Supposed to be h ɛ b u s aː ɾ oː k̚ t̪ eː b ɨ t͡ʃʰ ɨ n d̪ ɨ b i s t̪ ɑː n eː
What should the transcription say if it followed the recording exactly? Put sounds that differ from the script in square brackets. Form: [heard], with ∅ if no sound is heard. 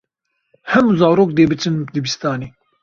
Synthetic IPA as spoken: h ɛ [m] u [z] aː ɾ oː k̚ [d̪] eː b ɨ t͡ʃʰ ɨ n d̪ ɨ b i s t̪ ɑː n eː